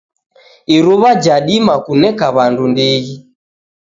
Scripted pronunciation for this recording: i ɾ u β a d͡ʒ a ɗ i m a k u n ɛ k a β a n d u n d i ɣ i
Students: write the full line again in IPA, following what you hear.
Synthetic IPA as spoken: i ɾ u β a d͡ʒ a ɗ i m a k u n ɛ k a β a n d u n d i ɣ i

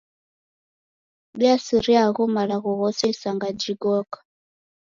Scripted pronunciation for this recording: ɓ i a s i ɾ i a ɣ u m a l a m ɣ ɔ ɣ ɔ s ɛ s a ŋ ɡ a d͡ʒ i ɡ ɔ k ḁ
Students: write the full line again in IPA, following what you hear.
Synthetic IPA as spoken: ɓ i a s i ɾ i a ɣ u m a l a ɣ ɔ ɣ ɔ s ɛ s a ŋ ɡ a d͡ʒ i ɡ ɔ k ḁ

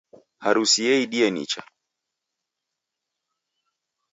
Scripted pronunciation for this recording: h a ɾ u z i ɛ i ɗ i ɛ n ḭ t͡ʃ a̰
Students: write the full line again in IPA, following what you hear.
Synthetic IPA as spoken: h a ɾ u s i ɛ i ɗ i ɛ n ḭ t͡ʃ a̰

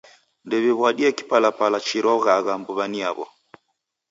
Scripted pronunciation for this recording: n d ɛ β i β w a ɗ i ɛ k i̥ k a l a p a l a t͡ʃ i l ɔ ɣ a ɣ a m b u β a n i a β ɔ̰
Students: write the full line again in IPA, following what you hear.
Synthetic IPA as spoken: n d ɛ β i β w a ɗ i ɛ k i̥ p a l a p a l a t͡ʃ i ɾ ɔ ɣ a ɣ a m b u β a n i a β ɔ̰

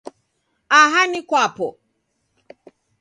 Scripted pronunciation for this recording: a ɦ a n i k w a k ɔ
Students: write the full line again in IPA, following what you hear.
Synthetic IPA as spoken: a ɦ a n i k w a p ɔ

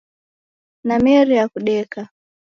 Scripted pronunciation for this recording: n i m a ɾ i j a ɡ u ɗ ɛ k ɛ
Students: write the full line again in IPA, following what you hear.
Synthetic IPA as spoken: n a m ɛ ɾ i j a k u ɗ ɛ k a

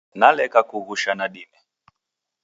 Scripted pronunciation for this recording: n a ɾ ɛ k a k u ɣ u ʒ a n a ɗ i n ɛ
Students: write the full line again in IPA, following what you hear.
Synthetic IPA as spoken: n a l ɛ k a k u ɣ u ʃ a n a ɗ i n ɛ

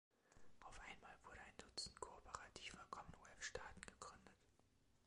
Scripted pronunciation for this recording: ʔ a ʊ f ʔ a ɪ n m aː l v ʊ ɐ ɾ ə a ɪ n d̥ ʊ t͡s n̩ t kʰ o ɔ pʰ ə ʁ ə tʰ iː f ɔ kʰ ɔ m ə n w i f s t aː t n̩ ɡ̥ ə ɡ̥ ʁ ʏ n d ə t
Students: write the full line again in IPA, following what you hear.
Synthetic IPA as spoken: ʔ a ʊ f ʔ a ɪ n m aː l v ʊ ɐ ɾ ə a ɪ n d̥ ʊ t͡s n̩ t kʰ o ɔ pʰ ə ʁ a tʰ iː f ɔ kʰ ɔ m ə n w ɛ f ʃ t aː t n̩ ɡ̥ ə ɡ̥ ʁ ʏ n d ə t

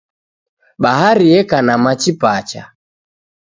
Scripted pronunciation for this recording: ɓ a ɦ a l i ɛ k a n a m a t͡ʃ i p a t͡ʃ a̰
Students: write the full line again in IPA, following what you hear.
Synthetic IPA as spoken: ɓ a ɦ a ɾ i ɛ k a n a m a t͡ʃ i p a t͡ʃ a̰

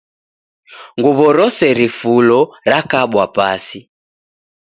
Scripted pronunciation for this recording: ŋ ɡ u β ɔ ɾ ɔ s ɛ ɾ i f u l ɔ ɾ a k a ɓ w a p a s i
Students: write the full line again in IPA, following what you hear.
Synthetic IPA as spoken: ŋ ɡ u β ɔ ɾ ɔ s ɛ ɾ i f u l ɔ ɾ a k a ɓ w a p a s i

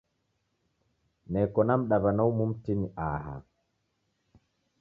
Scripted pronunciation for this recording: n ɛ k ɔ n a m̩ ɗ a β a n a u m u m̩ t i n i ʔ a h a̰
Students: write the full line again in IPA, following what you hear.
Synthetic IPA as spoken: n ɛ k ɔ n a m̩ ɗ a β a n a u m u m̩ t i n i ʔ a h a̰

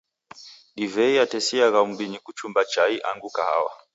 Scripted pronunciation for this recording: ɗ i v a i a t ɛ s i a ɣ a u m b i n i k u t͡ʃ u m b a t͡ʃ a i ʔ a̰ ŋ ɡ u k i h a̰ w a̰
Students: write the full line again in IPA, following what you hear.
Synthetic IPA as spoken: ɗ i v ɛ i a t ɛ s i a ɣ a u m b i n i k u t͡ʃ u m b a t͡ʃ a i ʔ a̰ ŋ ɡ u k a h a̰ w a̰

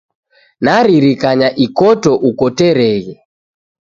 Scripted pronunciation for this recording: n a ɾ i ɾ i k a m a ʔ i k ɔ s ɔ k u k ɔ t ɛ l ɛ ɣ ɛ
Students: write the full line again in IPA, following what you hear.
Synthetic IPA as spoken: n a ɾ i ɾ i k a ɲ a ʔ i k ɔ t ɔ ʔ u k ɔ t ɛ ɾ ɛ ɣ ɛ

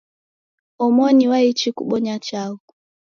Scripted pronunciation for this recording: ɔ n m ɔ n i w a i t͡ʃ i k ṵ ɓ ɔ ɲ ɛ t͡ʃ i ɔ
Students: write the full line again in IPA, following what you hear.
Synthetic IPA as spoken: ɔ m ɔ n i w a i t͡ʃ i k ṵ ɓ ɔ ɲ a t͡ʃ a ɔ

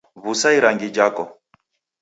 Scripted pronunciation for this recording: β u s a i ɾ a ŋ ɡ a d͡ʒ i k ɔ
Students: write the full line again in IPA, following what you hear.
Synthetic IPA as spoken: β u s a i ɾ a ŋ ɡ i d͡ʒ a k ɔ

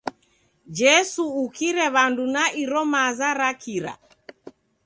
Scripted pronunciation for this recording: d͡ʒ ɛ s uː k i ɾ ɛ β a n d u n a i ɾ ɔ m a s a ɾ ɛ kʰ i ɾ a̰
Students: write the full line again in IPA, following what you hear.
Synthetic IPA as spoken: d͡ʒ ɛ s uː k i ɾ ɛ β a n d u n a i ɾ ɔ m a z a ɾ a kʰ i ɾ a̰

